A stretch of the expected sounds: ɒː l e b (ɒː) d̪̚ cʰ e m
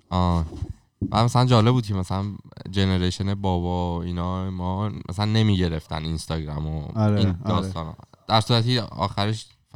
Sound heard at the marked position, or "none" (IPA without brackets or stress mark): uː